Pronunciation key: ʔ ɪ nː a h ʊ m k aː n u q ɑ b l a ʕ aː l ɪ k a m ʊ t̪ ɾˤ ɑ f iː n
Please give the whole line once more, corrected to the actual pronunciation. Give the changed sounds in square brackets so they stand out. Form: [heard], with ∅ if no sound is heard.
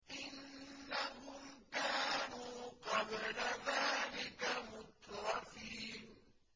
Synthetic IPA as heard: ʔ ɪ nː a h ʊ m k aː n [uː] q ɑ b l a [ð] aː l ɪ k a m ʊ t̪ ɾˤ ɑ f iː n